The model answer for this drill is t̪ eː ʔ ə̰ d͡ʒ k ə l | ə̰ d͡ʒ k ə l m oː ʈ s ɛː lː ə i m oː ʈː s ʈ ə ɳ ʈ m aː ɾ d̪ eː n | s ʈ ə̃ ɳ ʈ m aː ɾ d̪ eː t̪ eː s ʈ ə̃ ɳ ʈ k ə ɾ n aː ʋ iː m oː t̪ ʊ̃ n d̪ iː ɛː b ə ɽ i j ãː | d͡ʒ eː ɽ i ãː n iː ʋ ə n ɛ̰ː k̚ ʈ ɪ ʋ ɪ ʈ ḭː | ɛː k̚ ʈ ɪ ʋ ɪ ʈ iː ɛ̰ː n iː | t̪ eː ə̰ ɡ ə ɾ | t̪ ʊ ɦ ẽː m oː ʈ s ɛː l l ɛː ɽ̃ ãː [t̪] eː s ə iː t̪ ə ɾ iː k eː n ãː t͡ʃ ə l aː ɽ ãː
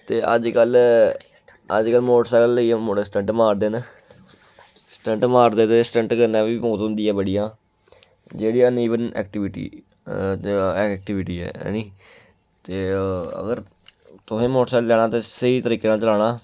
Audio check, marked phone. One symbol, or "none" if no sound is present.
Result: t̪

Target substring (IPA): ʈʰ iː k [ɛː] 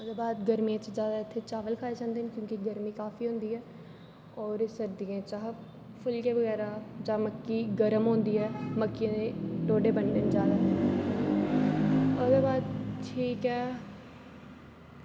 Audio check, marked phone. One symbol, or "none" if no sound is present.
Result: ɛː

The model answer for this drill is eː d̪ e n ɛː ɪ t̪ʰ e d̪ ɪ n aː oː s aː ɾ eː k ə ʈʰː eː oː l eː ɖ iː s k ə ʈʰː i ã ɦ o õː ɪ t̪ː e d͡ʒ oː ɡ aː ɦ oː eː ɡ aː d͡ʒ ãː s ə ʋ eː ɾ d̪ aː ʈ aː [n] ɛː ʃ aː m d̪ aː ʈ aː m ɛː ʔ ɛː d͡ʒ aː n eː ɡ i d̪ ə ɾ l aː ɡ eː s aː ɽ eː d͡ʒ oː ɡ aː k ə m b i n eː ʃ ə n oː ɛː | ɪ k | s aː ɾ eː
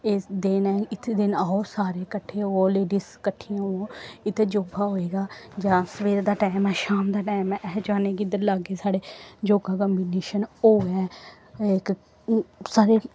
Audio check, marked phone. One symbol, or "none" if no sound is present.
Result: m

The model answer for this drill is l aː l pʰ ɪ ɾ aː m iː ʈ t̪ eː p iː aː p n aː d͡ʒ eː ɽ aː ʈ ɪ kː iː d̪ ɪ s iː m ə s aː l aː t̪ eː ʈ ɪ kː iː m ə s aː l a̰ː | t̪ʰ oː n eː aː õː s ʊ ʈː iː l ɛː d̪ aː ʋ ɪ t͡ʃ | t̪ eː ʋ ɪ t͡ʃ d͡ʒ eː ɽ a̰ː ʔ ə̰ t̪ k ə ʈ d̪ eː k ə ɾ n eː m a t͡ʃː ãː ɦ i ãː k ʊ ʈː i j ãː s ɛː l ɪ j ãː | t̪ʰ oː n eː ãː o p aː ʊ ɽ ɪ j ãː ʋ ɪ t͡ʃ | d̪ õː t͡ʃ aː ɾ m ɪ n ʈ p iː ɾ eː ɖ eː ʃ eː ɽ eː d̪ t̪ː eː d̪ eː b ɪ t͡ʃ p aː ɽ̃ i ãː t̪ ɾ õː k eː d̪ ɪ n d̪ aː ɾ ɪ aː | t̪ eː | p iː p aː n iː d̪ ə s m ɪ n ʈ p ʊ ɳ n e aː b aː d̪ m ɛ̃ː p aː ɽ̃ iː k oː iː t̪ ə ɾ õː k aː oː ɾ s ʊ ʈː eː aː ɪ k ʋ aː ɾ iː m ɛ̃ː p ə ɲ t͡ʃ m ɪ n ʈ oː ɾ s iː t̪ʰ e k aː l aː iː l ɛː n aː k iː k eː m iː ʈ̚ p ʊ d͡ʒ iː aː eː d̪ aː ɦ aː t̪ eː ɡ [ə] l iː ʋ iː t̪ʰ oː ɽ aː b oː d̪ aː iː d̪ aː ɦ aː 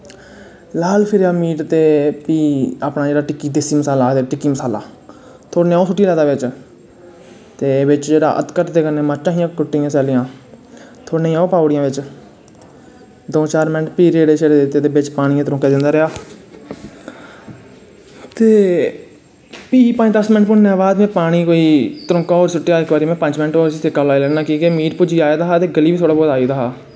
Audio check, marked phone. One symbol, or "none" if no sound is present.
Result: ə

